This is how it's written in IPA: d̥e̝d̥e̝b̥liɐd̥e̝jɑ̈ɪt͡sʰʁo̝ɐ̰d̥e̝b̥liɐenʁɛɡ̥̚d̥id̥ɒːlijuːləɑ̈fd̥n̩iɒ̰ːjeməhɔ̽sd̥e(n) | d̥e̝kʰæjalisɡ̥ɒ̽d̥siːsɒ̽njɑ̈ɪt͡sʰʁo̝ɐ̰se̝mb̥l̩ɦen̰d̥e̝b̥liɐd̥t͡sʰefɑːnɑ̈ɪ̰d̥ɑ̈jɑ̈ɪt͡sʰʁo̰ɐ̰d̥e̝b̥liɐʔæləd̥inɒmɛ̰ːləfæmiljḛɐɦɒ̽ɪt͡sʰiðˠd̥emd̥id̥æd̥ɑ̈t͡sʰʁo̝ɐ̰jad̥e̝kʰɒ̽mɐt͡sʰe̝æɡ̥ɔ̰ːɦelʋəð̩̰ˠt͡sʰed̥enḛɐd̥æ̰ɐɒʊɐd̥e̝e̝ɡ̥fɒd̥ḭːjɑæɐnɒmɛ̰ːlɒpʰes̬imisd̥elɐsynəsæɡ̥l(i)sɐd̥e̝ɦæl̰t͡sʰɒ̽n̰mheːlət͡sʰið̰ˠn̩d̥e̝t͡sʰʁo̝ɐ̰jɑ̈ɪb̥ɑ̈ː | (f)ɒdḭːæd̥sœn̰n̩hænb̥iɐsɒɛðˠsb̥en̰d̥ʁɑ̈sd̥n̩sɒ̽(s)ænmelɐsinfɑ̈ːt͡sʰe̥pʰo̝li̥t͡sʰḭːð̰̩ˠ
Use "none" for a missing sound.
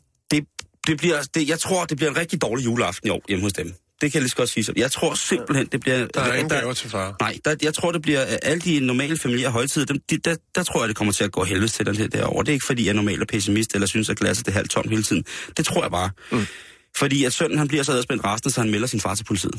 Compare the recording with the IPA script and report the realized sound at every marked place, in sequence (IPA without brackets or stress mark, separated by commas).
m, æ, f, h